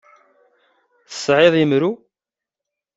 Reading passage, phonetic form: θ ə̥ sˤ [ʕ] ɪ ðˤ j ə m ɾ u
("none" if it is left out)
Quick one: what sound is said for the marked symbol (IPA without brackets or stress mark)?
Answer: ʕ